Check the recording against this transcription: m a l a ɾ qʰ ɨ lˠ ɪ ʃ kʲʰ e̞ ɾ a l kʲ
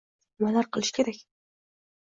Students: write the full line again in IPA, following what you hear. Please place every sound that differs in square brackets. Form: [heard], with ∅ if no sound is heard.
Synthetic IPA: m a l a ɾ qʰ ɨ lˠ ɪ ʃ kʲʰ e̞ ɾ a [∅] kʲ